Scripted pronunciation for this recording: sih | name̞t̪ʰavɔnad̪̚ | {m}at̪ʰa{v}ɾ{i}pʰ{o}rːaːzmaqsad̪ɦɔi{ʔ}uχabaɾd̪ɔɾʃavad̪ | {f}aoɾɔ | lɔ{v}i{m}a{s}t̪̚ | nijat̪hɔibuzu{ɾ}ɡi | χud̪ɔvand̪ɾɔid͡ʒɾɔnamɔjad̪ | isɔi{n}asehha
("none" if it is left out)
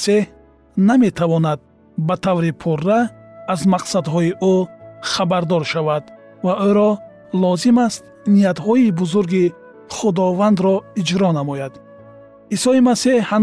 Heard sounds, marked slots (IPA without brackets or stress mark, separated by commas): b, v, i, u, ʔ, v, z, m, s, ɾ, m